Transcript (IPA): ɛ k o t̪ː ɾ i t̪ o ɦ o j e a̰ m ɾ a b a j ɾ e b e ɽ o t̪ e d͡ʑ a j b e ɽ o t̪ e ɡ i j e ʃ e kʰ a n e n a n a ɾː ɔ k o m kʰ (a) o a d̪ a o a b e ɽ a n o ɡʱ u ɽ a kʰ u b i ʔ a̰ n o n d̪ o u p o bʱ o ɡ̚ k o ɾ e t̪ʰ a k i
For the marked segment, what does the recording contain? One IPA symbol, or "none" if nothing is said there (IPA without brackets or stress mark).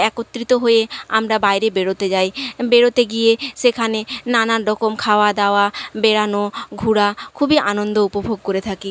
a